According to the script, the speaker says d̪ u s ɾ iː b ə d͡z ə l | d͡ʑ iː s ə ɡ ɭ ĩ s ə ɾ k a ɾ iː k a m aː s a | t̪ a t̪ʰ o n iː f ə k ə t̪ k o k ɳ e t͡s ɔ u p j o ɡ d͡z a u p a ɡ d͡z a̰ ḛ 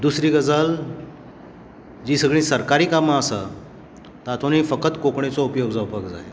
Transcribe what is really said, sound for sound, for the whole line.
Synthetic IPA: d̪ u s ɾ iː ɡ ə d͡z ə l | d͡ʑ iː s ə ɡ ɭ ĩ s ə ɾ k a ɾ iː k a m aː s a | t̪ a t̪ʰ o n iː f ə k ə t̪ k o k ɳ e t͡s ɔ u p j o ɡ d͡z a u p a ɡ d͡z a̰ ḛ